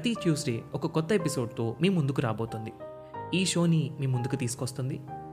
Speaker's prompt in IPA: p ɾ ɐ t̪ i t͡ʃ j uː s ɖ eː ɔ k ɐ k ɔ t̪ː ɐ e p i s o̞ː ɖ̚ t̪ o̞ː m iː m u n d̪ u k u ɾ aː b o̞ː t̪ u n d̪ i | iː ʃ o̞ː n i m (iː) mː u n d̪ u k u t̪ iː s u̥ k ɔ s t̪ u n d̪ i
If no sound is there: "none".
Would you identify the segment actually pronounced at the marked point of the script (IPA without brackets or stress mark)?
iː